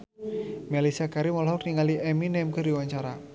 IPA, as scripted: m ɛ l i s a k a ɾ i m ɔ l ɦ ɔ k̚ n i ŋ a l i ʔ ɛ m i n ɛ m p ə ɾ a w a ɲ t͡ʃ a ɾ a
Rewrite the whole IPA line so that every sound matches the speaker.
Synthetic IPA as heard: m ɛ l i s a k a ɾ i m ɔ l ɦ ɔ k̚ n i ŋ a l i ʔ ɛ m i n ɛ m k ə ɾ i w a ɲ t͡ʃ a ɾ a